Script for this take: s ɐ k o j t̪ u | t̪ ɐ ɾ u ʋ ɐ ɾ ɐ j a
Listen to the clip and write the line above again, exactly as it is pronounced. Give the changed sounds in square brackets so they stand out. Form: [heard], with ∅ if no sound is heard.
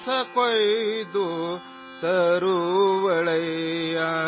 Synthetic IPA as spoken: s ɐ k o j [d̪] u | t̪ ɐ ɾ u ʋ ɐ [ɭ] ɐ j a